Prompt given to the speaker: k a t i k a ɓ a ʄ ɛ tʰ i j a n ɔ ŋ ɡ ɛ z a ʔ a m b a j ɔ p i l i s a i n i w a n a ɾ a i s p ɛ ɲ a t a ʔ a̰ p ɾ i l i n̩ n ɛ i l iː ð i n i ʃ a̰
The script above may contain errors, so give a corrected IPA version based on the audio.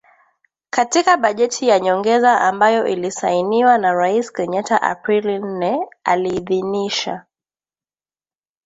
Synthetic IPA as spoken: k a t i k a ɓ a ʄ ɛ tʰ i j a ɲ ɔ ŋ ɡ ɛ z a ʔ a m b a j ɔ ʔ i l i s a i n i w a n a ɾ a i s k ɛ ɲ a t a ʔ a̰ p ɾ i l i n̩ n ɛ a l iː ð i n i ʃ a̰

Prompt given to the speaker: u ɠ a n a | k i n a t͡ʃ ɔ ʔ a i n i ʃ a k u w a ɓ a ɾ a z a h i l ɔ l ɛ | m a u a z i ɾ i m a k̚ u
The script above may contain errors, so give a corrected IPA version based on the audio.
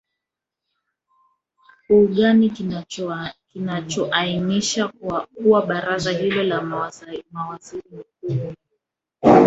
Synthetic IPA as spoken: u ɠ a n i | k i n a t͡ʃ ɔ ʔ a i n i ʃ a k u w a ɓ a ɾ a z a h i l ɔ l a | m a w a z i ɾ i m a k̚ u

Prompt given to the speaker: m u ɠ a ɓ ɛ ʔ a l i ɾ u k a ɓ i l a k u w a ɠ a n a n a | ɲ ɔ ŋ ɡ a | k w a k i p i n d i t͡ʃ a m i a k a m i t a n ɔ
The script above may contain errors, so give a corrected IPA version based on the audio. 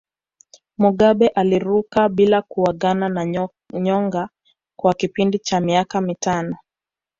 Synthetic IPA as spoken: m u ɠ a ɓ ɛ ʔ a l i ɾ u k a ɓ i l a k u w a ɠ a n a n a | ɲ ɔ ŋ ɡ a | k w a k i p i n d i t͡ʃ a m i a k a m i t a n ɔ

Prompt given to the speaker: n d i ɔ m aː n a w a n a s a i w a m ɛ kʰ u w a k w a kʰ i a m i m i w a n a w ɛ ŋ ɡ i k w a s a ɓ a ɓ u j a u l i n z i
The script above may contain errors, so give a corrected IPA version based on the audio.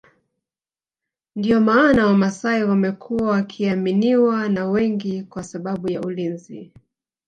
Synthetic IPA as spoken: n d i ɔ m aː n a w a m a s a i w a m ɛ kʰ u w a w a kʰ i a m i n i w a n a w ɛ ŋ ɡ i k w a s a ɓ a ɓ u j a u l i n z i

